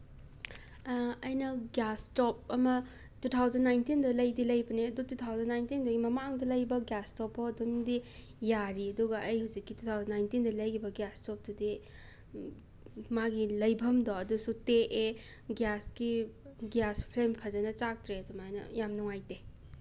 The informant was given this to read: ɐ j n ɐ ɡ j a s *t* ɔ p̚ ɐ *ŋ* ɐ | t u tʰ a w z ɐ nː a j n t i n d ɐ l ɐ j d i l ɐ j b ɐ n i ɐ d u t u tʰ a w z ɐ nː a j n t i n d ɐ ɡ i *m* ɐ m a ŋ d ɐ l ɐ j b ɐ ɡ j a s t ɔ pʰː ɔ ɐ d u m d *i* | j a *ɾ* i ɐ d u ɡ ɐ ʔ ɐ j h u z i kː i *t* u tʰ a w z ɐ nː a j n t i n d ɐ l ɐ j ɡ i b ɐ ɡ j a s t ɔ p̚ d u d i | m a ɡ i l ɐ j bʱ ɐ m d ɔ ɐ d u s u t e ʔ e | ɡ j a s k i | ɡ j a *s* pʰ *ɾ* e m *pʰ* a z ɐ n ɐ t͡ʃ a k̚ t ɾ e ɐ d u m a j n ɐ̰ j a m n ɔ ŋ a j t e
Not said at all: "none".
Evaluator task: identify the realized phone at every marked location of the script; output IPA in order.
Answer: t, m, m, i, ɾ, t, s, l, pʰ

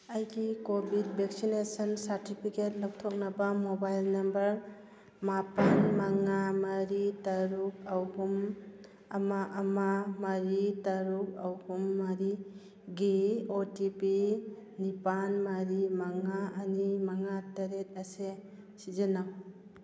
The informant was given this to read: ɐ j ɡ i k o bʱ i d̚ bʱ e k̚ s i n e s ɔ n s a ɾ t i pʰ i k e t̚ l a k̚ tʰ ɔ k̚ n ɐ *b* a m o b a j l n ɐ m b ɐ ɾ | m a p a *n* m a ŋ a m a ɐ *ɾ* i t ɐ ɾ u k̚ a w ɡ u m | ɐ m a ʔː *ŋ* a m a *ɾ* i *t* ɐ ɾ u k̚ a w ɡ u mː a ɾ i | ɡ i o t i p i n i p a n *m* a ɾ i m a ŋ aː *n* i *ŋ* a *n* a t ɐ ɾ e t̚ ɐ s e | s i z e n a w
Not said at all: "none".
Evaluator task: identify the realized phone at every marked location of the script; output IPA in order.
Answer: b, n, ɾ, m, ɾ, t, m, n, m, ŋ

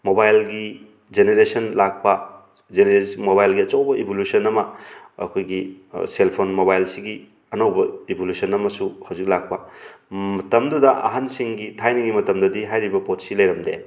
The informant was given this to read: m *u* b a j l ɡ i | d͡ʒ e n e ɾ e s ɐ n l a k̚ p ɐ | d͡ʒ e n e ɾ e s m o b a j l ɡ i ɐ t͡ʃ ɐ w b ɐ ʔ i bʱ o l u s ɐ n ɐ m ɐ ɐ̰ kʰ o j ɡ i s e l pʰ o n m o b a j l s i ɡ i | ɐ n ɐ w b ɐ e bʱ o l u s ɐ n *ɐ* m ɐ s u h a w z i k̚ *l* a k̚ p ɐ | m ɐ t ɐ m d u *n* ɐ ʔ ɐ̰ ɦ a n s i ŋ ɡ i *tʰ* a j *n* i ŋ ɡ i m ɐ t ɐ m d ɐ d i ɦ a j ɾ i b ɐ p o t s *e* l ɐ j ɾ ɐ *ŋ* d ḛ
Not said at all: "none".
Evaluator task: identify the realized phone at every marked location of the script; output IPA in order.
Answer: o, ɐ, l, d, tʰ, n, i, m

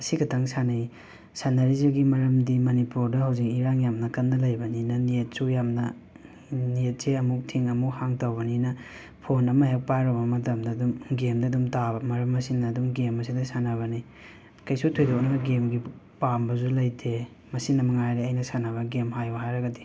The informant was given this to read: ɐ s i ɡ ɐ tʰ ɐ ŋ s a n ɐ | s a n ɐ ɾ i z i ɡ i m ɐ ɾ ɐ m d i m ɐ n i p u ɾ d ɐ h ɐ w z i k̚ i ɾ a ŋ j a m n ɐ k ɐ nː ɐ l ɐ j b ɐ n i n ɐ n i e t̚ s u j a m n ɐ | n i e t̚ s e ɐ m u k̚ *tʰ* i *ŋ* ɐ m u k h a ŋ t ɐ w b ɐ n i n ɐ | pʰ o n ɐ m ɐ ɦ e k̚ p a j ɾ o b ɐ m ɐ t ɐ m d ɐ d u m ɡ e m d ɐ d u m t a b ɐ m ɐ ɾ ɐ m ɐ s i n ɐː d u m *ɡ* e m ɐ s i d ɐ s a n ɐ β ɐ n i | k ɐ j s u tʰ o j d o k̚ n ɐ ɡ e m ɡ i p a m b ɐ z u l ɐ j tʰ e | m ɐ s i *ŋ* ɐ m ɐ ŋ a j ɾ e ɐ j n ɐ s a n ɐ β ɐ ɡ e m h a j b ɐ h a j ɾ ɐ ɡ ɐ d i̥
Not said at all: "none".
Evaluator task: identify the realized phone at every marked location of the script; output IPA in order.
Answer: tʰ, ŋ, ɡ, n

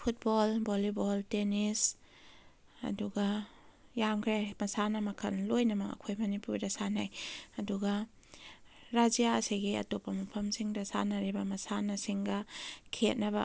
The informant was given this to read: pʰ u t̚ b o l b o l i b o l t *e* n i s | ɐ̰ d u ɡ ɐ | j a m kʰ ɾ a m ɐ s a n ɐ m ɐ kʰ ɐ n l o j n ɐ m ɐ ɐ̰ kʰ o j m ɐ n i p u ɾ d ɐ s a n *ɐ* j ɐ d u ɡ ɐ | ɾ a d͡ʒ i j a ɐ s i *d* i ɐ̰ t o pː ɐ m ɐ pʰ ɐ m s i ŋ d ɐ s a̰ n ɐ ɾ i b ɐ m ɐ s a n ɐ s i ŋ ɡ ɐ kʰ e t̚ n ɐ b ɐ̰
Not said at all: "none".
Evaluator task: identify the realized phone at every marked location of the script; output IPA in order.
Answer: e, a, ɡ

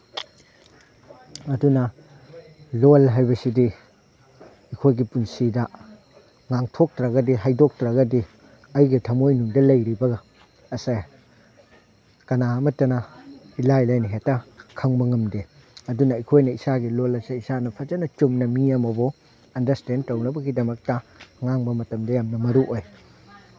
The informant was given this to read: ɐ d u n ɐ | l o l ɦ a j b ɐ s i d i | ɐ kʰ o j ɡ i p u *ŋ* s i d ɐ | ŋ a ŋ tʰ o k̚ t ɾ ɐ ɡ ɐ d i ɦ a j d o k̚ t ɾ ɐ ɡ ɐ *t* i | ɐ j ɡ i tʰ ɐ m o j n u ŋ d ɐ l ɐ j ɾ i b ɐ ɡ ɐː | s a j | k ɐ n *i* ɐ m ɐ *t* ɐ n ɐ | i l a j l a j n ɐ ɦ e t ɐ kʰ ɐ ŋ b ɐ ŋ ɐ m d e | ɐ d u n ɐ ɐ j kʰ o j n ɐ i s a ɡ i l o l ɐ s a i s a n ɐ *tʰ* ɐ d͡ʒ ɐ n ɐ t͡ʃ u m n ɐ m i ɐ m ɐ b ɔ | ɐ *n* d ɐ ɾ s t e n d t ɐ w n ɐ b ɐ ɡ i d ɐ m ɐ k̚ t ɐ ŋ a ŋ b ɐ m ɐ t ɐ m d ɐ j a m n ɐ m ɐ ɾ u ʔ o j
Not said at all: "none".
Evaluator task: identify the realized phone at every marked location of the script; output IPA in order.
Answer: n, d, a, t, pʰ, n

